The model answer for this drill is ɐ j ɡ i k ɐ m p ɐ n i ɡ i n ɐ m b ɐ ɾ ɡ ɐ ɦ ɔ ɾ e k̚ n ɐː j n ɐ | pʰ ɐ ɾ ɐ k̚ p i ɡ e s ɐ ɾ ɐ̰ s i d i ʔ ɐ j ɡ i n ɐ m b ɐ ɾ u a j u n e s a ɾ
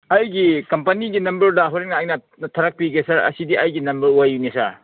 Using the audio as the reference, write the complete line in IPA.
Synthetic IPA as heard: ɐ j ɡ i k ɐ m p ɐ n i ɡ i n ɐ m b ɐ ɾ d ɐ ɦ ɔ ɾ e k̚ n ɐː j n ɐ | tʰ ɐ ɾ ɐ k̚ p i ɡ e s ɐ ɾ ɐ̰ s i d i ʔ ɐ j ɡ i n ɐ m b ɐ ɾ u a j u n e s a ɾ